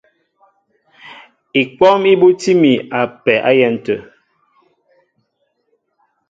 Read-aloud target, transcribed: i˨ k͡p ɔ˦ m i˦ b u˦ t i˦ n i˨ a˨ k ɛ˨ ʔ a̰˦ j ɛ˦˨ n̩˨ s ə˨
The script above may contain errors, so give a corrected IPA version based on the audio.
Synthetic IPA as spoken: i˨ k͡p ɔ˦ m i˦ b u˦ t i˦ m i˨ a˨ p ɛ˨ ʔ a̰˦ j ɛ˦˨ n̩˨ t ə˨